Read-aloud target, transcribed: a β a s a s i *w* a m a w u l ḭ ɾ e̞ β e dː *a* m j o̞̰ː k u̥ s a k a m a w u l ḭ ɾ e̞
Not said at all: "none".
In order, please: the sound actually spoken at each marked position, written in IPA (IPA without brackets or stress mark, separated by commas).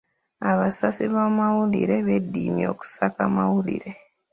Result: β, i